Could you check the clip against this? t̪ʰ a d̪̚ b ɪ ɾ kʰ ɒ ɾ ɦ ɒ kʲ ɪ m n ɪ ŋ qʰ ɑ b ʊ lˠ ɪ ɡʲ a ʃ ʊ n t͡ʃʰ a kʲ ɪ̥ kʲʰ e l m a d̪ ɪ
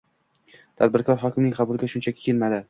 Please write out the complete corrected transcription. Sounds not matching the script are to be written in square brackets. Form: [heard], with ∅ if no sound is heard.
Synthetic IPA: t̪ʰ a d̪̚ b ɪ ɾ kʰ ɒ ɾ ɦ ɒ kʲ ɪ m n ɪ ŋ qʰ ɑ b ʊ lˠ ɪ ɡʲ a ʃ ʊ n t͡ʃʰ a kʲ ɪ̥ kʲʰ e l m a d̪ ɪ